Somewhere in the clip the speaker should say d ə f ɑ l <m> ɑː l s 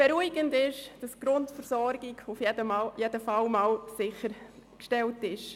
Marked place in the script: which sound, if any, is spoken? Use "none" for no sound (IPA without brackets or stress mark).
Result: m